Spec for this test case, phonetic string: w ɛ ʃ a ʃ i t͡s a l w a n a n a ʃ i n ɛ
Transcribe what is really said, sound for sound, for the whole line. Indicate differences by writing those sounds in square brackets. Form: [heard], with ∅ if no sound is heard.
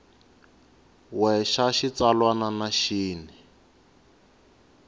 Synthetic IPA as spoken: w ɛ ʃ a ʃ i t͡s a l w a n a n a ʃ [iː] n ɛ